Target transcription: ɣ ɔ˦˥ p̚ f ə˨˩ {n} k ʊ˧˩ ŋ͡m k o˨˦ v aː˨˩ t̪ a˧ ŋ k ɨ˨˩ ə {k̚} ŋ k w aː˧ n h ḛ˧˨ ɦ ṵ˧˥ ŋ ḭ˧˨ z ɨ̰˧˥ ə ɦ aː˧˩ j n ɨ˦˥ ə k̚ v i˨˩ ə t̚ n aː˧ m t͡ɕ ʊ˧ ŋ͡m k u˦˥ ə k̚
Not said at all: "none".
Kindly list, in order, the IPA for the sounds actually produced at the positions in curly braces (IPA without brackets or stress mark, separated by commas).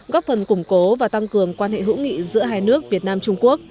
n, none